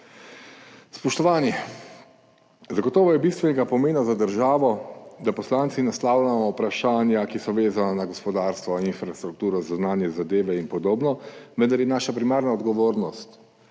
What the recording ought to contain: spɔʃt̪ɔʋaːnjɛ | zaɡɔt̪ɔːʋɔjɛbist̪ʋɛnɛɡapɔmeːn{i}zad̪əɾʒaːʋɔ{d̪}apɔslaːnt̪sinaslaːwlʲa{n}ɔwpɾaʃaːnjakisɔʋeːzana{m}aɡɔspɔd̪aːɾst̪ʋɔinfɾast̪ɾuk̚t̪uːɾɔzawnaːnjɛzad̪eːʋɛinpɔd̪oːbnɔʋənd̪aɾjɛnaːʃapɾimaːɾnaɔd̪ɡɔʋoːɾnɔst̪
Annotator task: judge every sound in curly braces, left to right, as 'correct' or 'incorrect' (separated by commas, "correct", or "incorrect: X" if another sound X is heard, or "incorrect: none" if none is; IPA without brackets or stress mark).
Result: incorrect: a, correct, incorrect: m, incorrect: n